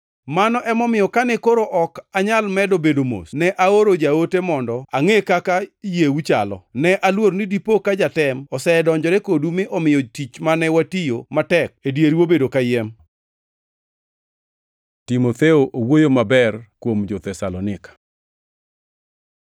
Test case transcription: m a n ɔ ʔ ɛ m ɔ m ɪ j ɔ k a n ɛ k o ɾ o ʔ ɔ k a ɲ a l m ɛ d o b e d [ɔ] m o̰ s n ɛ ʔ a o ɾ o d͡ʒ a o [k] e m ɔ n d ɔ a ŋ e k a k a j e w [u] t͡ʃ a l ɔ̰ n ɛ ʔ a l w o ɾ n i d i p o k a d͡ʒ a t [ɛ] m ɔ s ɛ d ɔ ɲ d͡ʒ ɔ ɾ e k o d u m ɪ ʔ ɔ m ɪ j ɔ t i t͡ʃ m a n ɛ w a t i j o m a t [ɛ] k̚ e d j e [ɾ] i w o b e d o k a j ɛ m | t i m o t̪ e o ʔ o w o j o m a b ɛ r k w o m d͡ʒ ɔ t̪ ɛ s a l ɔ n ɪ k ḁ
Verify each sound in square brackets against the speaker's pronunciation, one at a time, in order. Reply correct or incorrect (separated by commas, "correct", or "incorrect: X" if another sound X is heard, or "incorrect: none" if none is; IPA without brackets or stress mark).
incorrect: o, incorrect: t, correct, correct, correct, correct